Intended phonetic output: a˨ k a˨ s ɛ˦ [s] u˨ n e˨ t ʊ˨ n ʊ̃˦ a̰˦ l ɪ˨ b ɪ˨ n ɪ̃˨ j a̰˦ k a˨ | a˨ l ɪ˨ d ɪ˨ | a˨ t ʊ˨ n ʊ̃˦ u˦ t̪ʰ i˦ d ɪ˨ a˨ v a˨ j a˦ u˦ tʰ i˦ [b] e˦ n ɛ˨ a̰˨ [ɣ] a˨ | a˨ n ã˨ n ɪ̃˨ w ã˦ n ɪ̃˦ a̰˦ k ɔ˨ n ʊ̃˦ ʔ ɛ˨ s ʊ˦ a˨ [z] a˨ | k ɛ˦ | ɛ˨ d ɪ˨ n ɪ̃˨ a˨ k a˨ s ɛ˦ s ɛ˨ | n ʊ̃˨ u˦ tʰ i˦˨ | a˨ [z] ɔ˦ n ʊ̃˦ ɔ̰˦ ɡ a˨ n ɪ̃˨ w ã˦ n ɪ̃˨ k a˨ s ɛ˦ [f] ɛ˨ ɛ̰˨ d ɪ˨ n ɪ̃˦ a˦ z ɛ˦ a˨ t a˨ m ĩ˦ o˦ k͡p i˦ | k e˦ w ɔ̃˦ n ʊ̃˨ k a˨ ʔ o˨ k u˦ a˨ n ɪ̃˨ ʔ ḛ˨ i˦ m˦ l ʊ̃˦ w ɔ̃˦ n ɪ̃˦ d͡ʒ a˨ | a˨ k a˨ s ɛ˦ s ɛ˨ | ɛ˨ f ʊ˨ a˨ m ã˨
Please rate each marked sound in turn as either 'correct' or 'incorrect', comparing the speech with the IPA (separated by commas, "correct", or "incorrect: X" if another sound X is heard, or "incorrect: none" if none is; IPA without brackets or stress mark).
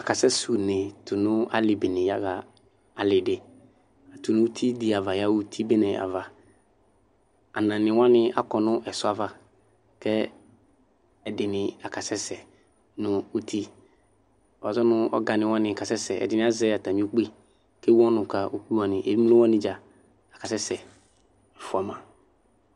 correct, correct, incorrect: v, incorrect: v, correct, incorrect: s